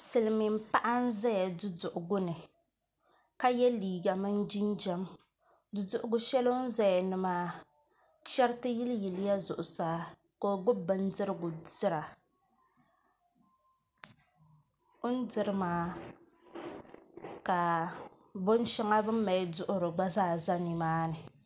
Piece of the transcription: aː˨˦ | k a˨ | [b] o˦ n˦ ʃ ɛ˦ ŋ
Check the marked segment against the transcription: correct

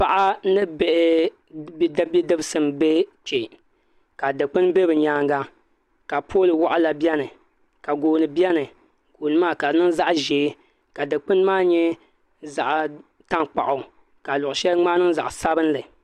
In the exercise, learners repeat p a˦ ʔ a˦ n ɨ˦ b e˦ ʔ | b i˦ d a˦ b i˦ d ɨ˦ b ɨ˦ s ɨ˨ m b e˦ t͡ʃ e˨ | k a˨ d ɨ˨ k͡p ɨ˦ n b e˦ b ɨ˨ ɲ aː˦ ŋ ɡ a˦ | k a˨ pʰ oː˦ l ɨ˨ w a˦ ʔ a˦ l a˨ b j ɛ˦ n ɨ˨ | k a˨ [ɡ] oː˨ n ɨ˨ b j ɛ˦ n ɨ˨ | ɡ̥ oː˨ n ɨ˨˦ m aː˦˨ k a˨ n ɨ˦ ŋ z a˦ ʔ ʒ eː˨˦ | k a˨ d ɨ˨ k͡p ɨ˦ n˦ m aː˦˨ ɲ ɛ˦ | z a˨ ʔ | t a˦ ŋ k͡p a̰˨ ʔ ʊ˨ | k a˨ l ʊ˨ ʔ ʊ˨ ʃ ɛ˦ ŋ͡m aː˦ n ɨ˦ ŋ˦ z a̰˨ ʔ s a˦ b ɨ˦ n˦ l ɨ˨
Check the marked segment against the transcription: correct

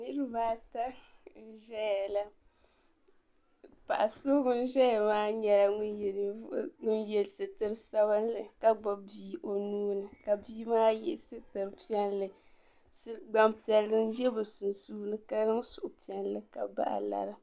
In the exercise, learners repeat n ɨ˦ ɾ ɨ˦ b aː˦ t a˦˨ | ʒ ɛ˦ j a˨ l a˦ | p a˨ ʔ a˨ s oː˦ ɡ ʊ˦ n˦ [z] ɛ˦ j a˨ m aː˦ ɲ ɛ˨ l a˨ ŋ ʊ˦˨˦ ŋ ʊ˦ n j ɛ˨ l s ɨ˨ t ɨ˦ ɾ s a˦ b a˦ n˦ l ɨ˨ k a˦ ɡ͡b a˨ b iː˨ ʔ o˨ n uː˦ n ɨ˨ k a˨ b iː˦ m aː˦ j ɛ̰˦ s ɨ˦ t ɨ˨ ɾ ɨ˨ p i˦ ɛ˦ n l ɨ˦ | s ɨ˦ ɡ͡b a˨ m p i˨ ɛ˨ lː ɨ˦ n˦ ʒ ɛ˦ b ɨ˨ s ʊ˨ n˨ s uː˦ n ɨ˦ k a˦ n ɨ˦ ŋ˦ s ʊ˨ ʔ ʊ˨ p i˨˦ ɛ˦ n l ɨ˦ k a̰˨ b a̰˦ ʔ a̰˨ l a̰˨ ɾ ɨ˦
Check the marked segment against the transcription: incorrect: ʒ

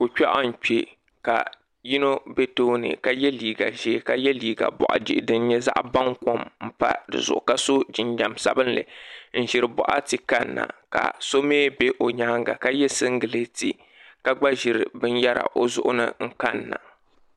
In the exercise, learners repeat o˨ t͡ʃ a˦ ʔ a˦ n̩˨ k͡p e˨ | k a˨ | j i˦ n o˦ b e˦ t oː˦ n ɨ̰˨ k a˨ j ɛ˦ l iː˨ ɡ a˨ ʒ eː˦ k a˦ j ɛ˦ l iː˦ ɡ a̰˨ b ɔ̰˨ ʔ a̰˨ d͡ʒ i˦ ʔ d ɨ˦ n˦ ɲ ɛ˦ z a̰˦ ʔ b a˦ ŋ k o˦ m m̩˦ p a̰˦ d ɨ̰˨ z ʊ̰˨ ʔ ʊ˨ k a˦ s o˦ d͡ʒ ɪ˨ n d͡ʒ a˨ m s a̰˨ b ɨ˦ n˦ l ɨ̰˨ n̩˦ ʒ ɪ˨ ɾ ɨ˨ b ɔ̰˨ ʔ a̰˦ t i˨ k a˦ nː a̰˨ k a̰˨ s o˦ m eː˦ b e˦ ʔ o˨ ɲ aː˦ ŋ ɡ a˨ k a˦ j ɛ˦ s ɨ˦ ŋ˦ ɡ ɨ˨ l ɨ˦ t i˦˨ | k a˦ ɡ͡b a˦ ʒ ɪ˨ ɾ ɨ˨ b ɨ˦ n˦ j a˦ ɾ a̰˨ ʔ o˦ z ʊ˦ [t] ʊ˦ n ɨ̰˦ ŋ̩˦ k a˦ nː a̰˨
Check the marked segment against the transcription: incorrect: ʔ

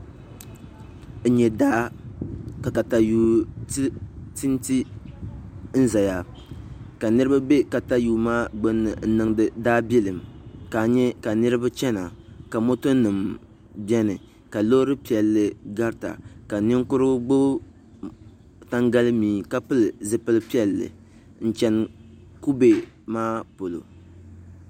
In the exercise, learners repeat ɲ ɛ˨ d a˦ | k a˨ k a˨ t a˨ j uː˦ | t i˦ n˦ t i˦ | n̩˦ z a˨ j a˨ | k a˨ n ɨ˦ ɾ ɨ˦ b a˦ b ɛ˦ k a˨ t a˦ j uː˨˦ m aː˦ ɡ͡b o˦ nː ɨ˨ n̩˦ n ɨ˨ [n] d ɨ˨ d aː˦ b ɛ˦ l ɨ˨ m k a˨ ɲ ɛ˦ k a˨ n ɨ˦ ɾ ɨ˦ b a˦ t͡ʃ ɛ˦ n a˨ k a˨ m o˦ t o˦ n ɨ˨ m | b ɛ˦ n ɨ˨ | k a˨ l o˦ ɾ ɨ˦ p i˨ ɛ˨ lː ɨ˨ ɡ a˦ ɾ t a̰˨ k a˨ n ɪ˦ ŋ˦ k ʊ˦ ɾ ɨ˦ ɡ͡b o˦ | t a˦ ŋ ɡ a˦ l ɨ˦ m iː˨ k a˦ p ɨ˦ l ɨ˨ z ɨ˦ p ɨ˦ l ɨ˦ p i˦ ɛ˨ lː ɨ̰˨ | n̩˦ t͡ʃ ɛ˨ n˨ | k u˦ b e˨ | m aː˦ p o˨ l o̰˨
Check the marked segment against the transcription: incorrect: ŋ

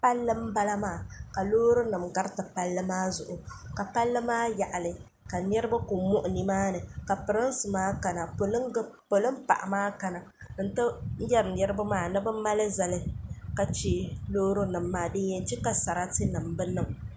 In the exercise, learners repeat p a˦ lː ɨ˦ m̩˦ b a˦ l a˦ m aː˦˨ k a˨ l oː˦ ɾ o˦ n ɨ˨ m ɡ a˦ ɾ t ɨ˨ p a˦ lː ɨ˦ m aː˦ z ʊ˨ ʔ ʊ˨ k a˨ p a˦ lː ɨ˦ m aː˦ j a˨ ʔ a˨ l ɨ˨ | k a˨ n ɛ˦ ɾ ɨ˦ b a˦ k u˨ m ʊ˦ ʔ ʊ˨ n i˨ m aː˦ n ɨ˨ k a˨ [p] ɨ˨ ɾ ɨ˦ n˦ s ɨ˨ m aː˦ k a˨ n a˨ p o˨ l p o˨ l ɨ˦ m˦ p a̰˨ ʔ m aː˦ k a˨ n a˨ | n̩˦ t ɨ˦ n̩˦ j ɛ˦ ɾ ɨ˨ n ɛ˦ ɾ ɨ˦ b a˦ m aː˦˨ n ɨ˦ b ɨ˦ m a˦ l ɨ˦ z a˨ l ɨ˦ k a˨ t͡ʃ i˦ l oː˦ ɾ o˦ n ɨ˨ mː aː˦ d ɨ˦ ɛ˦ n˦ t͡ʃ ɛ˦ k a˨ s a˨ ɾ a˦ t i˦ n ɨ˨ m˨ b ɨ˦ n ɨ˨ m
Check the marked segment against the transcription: correct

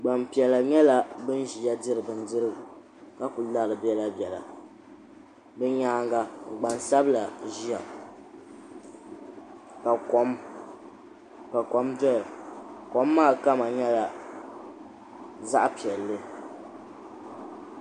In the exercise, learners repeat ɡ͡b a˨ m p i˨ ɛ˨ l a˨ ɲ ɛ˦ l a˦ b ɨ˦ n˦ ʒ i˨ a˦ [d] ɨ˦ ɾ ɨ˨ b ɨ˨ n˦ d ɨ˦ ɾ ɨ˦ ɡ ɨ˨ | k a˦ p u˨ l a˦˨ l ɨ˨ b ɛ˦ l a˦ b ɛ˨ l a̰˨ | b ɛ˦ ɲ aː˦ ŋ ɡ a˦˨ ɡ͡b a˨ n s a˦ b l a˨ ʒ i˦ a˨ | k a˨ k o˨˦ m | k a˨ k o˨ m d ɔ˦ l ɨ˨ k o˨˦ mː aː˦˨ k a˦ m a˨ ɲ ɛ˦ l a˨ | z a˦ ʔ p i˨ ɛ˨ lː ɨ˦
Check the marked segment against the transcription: correct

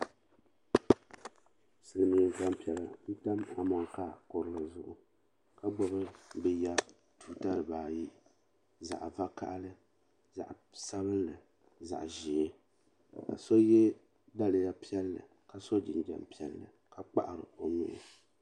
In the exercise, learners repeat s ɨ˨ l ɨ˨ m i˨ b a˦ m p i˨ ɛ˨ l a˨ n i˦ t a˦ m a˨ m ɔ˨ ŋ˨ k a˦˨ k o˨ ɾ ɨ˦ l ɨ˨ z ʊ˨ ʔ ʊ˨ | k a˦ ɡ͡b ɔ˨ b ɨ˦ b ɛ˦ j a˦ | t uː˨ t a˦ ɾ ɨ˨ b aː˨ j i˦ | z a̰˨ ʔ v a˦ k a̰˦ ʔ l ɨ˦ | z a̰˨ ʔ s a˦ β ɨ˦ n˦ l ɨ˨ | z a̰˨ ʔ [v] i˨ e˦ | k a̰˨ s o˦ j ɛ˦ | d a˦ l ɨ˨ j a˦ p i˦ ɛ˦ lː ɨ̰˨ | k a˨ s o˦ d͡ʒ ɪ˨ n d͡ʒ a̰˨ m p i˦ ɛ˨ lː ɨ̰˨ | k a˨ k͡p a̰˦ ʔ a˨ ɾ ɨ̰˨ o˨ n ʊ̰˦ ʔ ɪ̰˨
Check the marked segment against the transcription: incorrect: ʒ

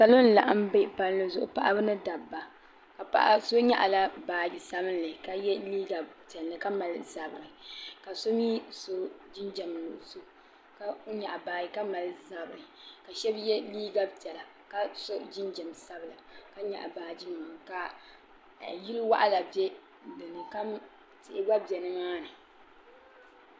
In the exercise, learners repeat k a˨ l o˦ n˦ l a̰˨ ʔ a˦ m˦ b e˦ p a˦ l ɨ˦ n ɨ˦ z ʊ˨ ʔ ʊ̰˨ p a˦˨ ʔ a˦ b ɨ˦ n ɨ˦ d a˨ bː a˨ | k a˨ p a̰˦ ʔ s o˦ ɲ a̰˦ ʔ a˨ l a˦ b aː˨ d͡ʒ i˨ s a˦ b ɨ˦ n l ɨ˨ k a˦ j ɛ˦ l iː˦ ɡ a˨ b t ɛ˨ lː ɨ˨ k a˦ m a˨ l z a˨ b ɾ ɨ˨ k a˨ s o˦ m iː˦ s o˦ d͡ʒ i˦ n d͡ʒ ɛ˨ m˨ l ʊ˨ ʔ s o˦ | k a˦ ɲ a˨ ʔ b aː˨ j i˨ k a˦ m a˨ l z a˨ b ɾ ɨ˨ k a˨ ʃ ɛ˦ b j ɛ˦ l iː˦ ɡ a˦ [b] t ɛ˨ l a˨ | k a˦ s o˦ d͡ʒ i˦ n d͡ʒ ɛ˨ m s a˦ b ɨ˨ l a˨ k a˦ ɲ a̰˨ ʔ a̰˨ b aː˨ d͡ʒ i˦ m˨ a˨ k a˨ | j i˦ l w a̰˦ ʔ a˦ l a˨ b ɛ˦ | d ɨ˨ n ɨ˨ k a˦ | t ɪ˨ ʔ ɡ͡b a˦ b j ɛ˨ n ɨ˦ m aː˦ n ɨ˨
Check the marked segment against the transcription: correct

